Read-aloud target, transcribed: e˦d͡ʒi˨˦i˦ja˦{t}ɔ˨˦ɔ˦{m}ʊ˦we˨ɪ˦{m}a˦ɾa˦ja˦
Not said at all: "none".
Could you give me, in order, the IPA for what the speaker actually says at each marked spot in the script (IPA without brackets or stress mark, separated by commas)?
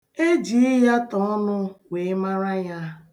t, n, m